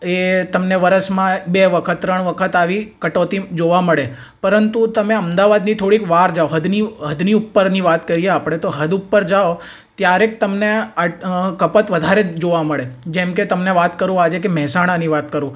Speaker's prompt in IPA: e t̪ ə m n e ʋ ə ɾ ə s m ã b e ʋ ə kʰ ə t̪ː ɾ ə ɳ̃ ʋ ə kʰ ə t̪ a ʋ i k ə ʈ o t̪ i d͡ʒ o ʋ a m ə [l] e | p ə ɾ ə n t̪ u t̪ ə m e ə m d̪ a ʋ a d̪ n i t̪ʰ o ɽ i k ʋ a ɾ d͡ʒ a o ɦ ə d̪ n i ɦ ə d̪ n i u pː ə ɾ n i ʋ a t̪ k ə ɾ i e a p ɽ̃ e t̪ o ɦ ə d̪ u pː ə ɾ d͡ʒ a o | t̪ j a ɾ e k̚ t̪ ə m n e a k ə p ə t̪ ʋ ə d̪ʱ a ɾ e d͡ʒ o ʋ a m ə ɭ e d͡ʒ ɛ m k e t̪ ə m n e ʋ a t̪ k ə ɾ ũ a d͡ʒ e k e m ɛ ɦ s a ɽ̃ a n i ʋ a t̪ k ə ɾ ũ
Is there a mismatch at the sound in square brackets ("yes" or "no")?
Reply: yes